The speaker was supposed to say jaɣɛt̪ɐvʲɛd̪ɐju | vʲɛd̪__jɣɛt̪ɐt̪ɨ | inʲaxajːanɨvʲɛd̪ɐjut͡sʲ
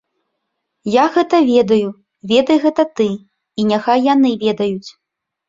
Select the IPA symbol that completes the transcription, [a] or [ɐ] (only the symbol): ɐ